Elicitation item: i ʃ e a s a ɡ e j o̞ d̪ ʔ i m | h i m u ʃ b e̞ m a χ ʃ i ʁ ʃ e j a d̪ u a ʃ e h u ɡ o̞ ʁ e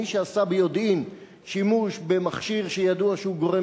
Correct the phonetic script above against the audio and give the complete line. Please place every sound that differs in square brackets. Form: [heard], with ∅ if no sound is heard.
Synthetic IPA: i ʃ e a s a [b] e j o̞ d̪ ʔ i m | [ʃ] i m u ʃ b e̞ m a χ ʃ i ʁ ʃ e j a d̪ u a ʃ e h u ɡ o̞ ʁ e